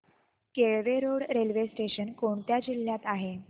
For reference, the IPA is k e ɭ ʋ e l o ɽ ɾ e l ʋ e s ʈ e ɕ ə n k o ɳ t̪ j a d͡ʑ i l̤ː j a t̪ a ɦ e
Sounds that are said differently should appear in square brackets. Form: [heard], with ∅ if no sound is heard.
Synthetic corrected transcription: k e ɭ ʋ e [ɾ] o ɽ ɾ e l ʋ e s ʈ e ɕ ə n k o ɳ t̪ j a d͡ʑ i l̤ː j a t̪ a ɦ e